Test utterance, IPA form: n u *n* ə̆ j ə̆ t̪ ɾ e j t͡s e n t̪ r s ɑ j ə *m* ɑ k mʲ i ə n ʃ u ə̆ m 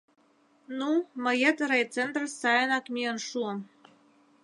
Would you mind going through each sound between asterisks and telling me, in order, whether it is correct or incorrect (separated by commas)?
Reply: incorrect, incorrect